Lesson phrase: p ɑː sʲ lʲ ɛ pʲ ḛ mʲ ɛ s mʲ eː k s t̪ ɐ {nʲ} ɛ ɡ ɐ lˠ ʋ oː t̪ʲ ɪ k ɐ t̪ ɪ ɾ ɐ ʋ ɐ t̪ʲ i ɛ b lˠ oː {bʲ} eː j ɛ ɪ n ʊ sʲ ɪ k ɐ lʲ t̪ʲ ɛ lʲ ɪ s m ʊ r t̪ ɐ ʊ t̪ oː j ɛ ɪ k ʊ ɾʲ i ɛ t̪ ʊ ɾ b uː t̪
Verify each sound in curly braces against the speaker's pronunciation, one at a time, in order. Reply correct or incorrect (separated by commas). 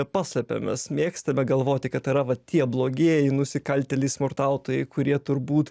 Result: incorrect, incorrect